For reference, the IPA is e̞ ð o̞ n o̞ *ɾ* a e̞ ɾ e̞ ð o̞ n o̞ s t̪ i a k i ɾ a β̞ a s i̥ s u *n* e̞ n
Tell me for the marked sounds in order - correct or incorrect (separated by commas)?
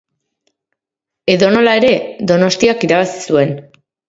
incorrect, incorrect